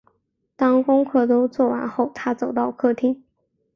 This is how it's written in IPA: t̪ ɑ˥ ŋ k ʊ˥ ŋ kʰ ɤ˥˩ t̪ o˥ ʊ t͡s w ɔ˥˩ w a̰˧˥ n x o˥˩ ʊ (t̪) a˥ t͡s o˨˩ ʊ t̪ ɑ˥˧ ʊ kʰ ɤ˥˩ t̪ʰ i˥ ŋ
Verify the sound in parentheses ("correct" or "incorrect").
incorrect